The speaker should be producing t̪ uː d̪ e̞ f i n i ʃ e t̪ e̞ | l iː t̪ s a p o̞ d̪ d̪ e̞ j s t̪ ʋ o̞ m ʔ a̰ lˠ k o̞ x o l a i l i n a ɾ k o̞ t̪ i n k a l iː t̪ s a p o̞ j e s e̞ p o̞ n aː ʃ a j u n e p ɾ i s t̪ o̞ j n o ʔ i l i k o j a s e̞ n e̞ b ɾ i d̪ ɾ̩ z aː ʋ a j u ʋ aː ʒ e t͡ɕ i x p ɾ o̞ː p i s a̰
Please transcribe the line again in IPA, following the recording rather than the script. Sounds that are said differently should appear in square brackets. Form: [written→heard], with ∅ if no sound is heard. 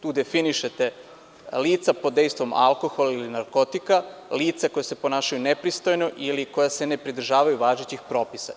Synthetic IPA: t̪ uː d̪ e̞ f i n i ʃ e t̪ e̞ | l iː t̪ s a p o̞ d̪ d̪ e̞ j s t̪ ʋ o̞ m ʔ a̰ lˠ k o̞ x o l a i l i n a ɾ k o̞ t̪ i [n→∅] k a l iː t̪ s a [p→k] o̞ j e s e̞ p o̞ n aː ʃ a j u n e p ɾ i s t̪ o̞ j n o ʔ i l i k o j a s e̞ n e̞ [b→p] ɾ i d̪ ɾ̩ [z→ʒ] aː ʋ a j u ʋ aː ʒ e t͡ɕ i x p ɾ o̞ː p i s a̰